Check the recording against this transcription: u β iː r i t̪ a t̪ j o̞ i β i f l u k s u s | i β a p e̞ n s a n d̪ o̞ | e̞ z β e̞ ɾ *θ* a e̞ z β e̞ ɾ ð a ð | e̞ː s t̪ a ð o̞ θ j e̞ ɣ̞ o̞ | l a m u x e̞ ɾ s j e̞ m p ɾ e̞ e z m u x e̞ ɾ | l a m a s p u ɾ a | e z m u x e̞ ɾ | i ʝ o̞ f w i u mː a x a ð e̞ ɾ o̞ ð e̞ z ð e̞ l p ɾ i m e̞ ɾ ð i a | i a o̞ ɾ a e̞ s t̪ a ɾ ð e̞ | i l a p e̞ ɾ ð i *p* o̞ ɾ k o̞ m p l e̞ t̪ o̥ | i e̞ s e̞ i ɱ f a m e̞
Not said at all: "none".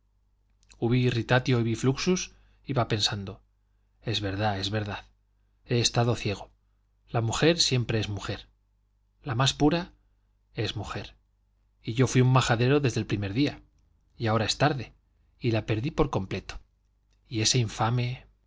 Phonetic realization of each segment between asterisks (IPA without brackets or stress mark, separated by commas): ð, p